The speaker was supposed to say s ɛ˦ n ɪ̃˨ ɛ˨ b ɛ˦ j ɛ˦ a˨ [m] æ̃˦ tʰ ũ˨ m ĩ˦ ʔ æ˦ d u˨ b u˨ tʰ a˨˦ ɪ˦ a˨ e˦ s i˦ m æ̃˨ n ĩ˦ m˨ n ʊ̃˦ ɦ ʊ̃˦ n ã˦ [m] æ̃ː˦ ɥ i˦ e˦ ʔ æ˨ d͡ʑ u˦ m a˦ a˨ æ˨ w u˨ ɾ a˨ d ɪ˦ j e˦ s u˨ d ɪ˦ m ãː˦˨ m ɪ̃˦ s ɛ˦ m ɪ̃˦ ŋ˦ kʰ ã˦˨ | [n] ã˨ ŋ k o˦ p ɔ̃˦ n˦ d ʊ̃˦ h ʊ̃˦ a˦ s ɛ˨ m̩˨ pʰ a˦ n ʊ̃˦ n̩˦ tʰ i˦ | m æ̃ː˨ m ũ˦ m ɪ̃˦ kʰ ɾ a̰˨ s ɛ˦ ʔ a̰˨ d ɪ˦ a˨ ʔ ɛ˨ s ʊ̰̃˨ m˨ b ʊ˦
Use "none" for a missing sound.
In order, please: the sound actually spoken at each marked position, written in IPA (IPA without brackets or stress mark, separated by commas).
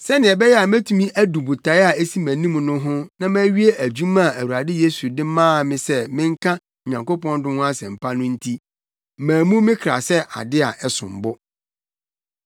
m, m, ɲ